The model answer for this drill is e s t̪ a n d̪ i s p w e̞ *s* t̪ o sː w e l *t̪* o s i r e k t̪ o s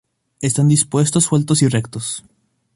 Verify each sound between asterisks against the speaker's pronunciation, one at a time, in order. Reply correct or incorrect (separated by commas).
correct, correct